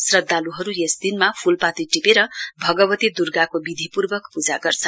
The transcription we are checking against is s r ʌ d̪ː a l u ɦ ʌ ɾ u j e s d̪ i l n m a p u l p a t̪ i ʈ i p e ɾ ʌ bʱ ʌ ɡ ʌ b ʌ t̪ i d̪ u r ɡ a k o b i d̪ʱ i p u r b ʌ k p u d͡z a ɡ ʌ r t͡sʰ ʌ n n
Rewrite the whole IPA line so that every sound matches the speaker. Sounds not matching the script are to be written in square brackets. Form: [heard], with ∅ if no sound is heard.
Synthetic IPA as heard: s r ʌ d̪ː a l u ɦ ʌ ɾ u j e s d̪ i [∅] n m a [pʰ] u l p a t̪ i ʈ i p e ɾ ʌ bʱ ʌ ɡ ʌ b ʌ t̪ i d̪ u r ɡ a k o b i d̪ʱ i p u r b ʌ k p u d͡z a ɡ ʌ r t͡sʰ ʌ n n